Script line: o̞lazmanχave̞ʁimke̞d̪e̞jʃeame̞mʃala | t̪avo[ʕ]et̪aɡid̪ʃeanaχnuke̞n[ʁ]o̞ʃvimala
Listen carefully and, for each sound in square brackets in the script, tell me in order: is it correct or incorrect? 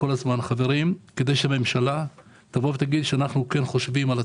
incorrect: v, incorrect: χ

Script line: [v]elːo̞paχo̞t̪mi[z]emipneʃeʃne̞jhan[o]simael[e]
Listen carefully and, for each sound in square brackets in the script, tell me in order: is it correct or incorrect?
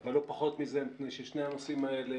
correct, correct, correct, correct

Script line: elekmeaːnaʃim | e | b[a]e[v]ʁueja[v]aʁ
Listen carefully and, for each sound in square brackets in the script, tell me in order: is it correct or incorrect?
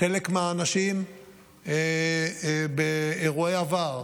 incorrect: e, incorrect: none, correct

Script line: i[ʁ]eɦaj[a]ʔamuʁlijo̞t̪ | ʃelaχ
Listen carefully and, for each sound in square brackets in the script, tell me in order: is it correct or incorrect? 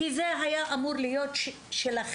incorrect: z, correct

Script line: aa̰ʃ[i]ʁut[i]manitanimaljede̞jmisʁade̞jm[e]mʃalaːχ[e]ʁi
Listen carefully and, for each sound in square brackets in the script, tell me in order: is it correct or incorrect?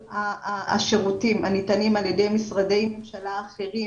incorrect: e, correct, correct, correct

